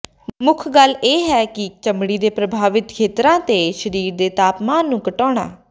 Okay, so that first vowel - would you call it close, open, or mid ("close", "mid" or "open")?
close